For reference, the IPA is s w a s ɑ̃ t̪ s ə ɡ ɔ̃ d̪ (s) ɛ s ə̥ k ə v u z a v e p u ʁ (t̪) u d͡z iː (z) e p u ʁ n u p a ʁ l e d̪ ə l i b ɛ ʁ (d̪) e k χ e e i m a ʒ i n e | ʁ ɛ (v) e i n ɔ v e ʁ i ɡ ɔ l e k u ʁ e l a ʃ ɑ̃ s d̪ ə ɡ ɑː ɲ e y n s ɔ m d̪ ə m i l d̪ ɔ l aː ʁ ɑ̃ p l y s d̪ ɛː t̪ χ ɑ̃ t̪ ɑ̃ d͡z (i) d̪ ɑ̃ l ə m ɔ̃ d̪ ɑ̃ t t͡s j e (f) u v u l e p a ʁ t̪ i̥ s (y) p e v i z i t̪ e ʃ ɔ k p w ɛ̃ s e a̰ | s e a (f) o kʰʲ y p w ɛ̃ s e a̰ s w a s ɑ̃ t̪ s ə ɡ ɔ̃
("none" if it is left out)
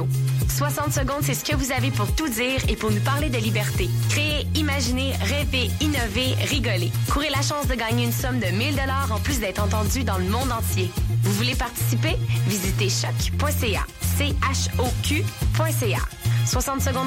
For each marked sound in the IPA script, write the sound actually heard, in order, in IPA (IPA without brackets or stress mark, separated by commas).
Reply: s, t̪, ʁ, t̪, v, y, v, i, ʃ